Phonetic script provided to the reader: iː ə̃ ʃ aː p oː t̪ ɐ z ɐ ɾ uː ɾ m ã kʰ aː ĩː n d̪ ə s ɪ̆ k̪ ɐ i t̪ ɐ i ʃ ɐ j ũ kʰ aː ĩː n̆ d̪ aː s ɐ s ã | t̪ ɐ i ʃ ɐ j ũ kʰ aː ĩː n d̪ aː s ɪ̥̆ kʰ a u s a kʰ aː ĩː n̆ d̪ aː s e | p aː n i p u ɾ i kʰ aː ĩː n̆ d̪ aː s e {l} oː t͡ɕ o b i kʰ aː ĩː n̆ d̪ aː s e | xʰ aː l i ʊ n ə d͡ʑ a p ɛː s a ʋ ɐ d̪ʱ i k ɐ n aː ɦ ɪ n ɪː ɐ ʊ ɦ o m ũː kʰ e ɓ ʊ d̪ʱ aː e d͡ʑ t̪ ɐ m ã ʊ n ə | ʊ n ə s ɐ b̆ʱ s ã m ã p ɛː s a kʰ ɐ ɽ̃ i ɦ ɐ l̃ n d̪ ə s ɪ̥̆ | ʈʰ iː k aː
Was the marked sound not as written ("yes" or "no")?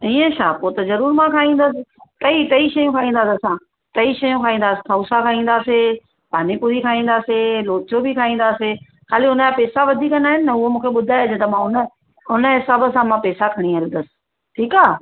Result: no